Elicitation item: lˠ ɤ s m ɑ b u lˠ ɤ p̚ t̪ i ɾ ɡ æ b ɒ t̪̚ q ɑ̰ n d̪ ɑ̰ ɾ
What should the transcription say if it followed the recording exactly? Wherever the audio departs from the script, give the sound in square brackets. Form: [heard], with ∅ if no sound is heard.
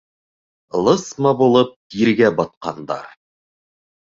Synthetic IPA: lˠ ɤ s m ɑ b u lˠ ɤ p̚ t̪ i ɾ ɡ æ b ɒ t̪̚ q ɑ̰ n d̪ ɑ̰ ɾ